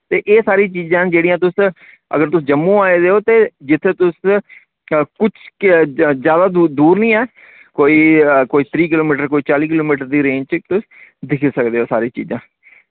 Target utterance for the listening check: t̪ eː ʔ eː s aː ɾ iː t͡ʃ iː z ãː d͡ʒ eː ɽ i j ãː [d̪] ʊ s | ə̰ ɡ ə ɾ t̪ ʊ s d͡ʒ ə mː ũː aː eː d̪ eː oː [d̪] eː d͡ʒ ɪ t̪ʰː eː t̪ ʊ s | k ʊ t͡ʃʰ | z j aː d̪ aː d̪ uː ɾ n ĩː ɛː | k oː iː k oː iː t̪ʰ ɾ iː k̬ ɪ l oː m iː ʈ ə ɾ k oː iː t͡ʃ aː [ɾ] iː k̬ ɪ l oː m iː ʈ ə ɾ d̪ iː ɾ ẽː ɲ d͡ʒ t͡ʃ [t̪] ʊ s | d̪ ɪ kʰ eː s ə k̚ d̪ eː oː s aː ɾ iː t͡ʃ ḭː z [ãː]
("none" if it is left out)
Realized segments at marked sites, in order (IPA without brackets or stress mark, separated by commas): t̪, t̪, l, t̪, ãː